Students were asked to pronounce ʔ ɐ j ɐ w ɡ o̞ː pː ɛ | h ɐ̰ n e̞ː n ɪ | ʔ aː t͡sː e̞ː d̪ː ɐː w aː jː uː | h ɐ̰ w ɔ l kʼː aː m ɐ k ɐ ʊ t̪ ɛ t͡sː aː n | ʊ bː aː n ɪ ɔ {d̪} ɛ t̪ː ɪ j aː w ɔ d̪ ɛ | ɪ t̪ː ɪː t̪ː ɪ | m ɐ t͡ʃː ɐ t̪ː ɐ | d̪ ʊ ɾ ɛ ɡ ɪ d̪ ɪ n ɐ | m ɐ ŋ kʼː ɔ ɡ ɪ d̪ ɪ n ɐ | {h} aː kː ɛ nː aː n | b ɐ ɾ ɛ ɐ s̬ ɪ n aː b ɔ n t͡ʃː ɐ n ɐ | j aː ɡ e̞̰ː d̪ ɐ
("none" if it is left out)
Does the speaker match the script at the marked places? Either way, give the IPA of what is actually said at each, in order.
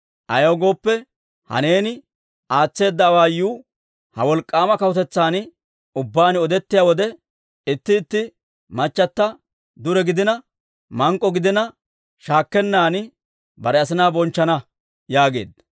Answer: d̪, ʃ

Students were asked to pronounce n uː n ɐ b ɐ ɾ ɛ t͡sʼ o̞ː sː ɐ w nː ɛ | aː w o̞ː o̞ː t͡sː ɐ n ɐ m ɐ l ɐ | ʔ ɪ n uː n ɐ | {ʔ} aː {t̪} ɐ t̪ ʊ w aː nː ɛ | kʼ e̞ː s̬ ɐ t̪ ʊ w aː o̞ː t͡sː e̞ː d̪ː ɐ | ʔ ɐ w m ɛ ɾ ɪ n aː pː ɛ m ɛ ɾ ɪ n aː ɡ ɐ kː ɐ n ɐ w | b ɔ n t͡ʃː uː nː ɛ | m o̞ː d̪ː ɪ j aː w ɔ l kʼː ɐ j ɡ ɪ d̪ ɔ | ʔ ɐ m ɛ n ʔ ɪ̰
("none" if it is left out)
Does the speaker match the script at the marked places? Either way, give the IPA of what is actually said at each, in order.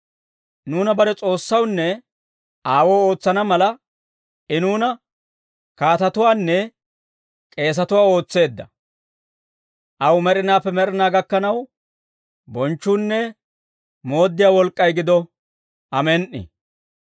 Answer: k, t̪

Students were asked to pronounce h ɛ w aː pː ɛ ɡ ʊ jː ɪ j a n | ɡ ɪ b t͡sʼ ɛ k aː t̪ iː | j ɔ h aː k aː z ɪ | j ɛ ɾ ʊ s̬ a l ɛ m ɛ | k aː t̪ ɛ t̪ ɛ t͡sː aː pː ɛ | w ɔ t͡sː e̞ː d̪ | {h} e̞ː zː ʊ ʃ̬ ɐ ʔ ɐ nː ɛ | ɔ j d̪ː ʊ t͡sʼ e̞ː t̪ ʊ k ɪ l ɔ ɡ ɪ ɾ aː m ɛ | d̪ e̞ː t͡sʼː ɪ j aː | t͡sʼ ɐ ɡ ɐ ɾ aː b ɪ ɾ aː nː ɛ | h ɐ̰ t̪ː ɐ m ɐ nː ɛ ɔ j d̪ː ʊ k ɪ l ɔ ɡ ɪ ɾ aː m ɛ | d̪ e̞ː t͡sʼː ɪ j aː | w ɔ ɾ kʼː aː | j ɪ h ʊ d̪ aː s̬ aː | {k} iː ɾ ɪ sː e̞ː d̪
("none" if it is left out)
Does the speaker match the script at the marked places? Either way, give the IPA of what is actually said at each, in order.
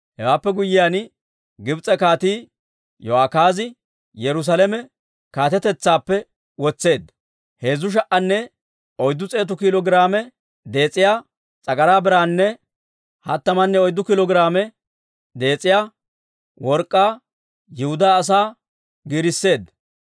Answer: h, ɡ

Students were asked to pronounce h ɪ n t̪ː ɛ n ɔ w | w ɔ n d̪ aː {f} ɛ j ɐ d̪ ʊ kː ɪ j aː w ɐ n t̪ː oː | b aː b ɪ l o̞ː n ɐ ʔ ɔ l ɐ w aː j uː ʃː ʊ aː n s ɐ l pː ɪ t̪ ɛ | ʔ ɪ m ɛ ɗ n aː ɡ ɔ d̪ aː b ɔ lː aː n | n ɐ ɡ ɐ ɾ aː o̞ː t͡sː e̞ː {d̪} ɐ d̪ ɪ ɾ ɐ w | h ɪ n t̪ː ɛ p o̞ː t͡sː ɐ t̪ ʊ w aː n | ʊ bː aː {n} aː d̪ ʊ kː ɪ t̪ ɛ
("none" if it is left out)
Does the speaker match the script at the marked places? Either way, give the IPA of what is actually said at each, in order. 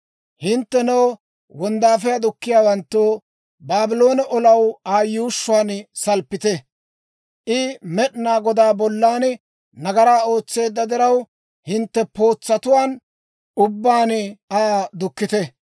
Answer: f, d̪ː, n

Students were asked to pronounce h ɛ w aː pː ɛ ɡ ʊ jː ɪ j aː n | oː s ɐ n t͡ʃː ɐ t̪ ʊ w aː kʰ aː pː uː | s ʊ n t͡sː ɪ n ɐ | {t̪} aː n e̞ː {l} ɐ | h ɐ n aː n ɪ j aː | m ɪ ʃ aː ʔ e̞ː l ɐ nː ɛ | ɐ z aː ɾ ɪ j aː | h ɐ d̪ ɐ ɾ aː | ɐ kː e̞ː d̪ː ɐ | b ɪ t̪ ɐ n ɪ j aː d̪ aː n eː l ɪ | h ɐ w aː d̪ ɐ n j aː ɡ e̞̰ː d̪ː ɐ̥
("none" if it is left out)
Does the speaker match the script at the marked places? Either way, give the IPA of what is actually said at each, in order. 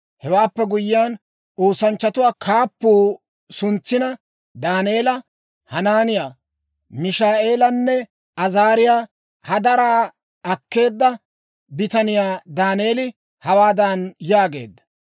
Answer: d̪, l

